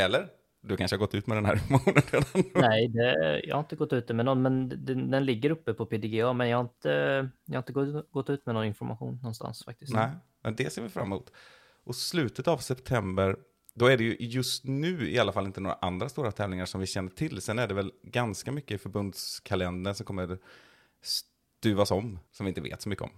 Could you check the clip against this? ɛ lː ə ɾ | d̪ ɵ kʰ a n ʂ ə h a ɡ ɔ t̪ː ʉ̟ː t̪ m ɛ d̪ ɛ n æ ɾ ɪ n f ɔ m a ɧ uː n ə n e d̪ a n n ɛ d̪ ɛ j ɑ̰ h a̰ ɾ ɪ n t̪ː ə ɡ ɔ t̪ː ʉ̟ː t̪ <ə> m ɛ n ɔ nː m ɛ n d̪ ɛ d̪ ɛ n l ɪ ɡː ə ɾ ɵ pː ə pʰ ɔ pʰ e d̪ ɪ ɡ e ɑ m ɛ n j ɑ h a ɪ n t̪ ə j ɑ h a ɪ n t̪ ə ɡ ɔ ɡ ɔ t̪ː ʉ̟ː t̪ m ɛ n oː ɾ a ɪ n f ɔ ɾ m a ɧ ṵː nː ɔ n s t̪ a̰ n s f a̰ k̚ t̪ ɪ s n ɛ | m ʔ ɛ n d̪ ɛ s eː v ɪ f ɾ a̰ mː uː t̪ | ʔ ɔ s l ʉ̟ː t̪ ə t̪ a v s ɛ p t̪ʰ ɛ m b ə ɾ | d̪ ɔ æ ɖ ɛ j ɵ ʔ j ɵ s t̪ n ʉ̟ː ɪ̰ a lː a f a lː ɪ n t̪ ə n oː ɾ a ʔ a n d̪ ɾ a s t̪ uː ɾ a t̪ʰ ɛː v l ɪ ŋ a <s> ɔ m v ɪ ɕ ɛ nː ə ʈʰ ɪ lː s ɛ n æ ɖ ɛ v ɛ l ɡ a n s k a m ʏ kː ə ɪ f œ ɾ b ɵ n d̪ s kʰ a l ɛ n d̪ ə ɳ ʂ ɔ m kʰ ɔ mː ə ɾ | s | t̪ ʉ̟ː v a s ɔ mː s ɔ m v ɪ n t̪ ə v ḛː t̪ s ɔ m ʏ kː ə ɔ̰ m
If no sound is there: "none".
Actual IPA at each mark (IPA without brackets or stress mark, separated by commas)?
ə, ʂ